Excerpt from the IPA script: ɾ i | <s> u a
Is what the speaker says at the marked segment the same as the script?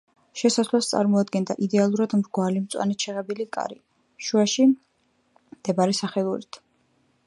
no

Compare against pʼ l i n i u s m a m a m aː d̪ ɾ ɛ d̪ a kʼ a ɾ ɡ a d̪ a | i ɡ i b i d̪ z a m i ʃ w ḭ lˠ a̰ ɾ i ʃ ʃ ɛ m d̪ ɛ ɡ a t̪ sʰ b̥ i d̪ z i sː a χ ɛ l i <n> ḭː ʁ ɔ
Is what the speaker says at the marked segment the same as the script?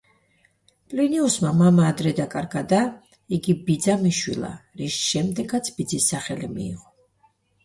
no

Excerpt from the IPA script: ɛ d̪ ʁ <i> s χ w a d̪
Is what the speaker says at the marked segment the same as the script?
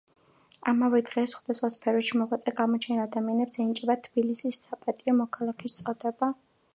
no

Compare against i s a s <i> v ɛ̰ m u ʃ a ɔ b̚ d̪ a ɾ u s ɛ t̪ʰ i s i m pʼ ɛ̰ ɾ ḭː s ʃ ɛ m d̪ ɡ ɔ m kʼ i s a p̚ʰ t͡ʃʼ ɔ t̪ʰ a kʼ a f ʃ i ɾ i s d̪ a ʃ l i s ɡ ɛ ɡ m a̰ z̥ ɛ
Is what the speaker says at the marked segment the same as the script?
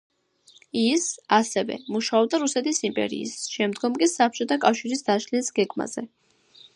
no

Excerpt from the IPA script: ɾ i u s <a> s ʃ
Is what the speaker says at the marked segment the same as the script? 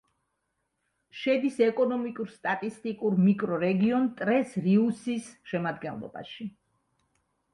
no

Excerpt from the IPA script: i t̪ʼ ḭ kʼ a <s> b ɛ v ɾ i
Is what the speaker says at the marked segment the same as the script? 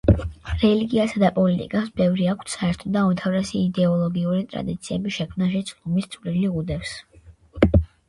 yes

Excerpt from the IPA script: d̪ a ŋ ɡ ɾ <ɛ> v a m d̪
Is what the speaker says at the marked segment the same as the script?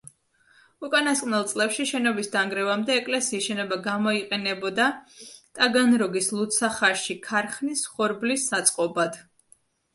yes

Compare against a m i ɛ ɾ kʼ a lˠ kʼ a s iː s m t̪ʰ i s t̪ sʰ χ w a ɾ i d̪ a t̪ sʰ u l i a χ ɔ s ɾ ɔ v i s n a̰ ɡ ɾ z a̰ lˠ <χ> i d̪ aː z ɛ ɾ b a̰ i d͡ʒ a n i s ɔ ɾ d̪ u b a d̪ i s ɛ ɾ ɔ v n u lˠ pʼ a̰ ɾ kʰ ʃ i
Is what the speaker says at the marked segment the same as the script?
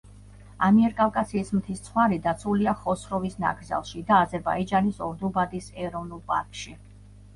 no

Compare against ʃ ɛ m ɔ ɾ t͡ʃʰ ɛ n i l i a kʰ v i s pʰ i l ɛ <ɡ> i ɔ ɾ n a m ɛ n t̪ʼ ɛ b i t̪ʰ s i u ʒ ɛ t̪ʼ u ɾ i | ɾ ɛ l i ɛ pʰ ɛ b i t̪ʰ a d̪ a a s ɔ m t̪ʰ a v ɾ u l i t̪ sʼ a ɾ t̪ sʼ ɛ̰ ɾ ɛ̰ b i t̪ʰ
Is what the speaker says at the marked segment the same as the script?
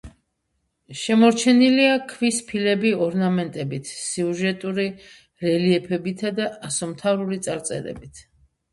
no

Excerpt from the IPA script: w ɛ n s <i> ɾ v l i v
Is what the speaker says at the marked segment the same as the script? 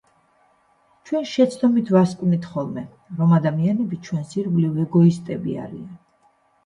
yes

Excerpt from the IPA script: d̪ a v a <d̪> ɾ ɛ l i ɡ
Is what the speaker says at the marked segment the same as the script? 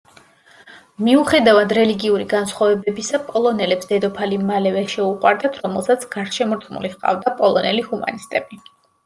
yes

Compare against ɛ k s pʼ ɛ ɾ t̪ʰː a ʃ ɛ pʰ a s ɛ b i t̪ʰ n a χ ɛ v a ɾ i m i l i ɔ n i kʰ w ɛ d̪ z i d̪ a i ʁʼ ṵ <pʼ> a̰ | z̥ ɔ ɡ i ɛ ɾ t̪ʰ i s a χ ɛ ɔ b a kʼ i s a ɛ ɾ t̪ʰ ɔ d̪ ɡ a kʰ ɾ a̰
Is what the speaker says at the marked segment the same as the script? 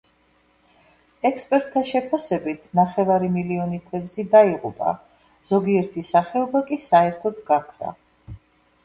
yes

